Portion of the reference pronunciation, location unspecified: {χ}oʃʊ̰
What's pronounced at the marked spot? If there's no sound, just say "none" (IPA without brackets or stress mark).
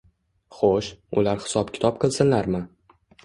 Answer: χ